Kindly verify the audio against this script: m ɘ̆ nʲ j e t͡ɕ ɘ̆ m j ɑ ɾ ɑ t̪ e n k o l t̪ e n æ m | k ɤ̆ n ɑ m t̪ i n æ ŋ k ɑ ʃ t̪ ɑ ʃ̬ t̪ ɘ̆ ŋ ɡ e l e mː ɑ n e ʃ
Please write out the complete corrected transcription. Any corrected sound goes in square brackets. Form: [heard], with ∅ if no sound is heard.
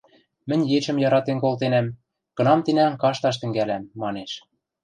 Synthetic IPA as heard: m ɘ̆ nʲ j e t͡ɕ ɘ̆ m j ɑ ɾ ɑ t̪ e n k o l t̪ e n æ m | k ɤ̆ n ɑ m t̪ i n æ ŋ k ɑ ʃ t̪ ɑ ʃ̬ t̪ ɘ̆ ŋ ɡ [æ] l [æ] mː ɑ n e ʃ